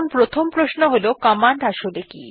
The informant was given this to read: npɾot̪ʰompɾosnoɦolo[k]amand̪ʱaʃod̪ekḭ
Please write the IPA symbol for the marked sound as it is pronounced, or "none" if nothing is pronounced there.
k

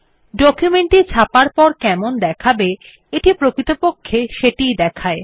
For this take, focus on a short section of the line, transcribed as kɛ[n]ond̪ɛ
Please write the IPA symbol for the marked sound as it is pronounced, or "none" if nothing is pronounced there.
m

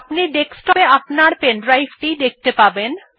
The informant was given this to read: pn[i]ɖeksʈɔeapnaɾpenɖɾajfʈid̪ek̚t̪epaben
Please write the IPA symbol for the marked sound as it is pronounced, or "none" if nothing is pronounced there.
i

